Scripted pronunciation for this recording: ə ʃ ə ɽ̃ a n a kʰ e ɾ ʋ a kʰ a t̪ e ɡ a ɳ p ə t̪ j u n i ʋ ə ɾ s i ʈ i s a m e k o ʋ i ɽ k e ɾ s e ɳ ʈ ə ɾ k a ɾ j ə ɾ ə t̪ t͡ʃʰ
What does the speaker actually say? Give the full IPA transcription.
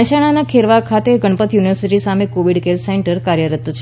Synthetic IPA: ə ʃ a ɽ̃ a n a kʰ e ɾ ʋ a kʰ a t̪ e ɡ ə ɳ p ə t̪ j u n i ʋ ə ɾ s i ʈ i s a m e k o ʋ i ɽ k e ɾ s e ɳ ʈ ə ɾ k a ɾ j ə ɾ ə t̪ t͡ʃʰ